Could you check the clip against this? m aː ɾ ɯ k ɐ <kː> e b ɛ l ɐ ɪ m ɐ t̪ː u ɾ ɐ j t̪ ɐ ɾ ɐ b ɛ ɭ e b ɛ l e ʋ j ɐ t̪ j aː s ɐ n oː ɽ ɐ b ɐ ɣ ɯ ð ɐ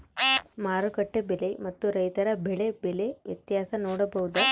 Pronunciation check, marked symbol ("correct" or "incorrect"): incorrect